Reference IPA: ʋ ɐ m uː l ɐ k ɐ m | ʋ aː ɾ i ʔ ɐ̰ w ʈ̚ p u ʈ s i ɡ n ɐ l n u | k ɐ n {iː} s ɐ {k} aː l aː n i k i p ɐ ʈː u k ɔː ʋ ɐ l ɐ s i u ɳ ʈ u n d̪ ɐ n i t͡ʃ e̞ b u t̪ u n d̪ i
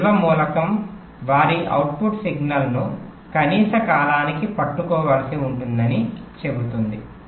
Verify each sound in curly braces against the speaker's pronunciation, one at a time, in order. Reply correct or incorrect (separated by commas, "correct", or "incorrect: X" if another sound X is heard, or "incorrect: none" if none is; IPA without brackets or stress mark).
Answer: correct, correct